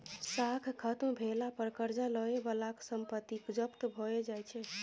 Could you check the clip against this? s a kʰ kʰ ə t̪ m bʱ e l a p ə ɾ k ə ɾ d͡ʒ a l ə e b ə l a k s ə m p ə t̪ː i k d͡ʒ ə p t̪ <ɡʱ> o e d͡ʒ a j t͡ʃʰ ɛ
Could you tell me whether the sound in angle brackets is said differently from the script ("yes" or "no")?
yes